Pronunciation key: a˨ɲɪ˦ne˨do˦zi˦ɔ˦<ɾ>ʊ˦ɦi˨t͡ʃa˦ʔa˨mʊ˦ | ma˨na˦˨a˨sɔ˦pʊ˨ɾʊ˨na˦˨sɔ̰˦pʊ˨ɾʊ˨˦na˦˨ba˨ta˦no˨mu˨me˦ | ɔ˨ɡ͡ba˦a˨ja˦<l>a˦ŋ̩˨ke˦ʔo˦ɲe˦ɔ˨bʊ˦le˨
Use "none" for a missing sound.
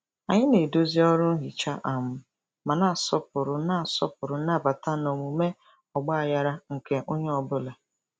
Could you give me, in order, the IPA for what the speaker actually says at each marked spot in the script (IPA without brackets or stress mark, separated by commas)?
ɾ, ɾ